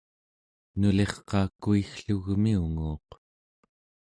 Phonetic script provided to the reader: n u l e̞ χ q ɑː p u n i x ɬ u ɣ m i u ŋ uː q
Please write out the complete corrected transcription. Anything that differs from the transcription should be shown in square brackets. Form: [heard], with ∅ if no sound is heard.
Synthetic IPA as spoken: n u l e̞ χ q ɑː [k] u [∅] i x ɬ u ɣ m i u ŋ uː q